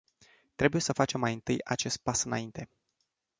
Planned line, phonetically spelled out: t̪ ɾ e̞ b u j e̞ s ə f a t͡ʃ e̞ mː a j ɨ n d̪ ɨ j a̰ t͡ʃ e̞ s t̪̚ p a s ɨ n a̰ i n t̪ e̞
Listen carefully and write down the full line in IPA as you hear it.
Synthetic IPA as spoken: t̪ ɾ e̞ b u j e̞ s ə f a t͡ʃ e̞ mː a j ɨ n t̪ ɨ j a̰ t͡ʃ e̞ s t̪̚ p a s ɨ n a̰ i n t̪ e̞